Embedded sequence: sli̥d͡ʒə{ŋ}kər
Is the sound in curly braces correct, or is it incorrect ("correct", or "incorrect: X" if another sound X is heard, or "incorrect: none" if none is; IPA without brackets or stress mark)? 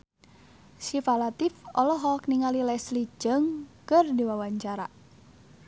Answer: correct